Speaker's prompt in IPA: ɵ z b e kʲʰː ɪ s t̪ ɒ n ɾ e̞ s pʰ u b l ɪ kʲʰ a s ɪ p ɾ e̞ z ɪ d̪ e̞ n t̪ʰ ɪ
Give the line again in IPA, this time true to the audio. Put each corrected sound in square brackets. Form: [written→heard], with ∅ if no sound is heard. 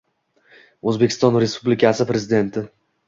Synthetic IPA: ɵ z b e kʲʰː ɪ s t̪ ɒ n ɾ e̞ s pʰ u b l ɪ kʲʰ a s ɪ p ɾ e̞ z ɪ d̪ e̞ n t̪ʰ ɪ